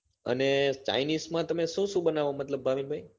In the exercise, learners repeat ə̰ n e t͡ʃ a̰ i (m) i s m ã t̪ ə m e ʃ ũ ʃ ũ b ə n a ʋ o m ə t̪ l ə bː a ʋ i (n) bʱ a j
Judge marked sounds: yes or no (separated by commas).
no, yes